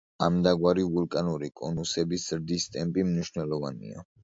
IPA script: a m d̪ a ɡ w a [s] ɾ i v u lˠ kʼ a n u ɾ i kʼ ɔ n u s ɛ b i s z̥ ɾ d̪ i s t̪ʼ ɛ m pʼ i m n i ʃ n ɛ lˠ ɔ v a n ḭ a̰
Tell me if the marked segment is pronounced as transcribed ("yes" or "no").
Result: no